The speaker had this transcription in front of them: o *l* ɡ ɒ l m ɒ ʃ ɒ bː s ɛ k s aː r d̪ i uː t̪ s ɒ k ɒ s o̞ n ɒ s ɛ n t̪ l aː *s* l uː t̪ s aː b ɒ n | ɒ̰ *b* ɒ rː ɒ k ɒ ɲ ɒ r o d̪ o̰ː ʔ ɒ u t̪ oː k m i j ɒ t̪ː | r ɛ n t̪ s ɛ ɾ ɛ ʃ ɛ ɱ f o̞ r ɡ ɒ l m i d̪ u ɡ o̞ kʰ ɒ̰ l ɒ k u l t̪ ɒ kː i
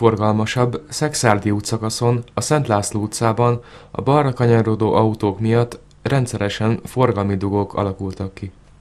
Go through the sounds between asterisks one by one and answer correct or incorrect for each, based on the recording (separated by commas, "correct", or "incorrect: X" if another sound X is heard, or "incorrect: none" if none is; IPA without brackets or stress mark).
incorrect: r, correct, correct